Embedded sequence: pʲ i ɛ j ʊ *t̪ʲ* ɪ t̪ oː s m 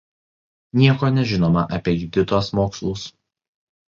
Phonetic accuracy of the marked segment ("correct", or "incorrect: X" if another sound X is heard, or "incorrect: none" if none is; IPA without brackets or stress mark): incorrect: d̪ʲ